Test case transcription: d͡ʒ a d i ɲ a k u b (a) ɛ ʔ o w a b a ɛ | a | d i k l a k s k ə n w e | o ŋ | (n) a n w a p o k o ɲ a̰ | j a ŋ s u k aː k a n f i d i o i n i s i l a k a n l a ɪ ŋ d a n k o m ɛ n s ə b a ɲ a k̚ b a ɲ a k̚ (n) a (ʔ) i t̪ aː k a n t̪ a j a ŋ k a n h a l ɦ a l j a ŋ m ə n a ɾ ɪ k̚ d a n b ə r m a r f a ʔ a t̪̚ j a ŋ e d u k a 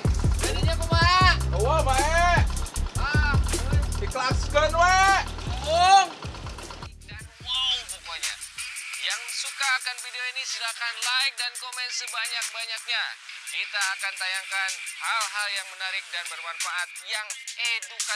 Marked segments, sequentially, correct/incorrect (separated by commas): correct, incorrect, incorrect, incorrect